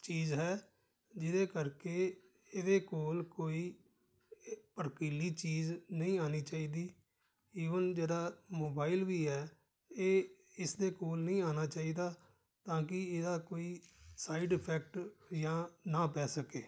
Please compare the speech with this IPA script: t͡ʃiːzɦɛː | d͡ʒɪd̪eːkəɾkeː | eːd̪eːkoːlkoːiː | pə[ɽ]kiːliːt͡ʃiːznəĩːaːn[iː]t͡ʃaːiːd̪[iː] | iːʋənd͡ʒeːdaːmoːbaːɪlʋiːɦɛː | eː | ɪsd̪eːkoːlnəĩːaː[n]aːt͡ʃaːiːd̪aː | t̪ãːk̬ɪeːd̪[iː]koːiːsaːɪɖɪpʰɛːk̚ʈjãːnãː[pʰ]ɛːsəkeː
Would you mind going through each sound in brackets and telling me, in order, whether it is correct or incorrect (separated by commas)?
incorrect, correct, correct, correct, incorrect, incorrect